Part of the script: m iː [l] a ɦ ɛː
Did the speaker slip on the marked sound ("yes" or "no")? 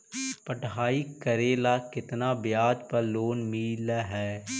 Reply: no